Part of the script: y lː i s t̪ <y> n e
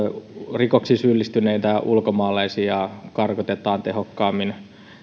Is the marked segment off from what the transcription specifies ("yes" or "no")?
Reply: no